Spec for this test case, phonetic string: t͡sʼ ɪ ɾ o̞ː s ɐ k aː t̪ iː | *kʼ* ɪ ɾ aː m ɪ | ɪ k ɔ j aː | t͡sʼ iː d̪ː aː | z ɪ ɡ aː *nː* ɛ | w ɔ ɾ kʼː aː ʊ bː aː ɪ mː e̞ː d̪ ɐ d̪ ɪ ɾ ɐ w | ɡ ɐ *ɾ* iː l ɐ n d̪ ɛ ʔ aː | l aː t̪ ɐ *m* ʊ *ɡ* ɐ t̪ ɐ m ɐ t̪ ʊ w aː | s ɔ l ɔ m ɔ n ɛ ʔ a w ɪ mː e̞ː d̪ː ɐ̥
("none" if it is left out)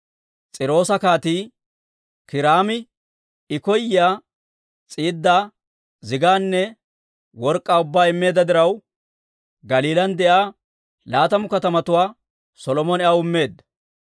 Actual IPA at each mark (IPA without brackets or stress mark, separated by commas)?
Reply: k, nː, l, m, k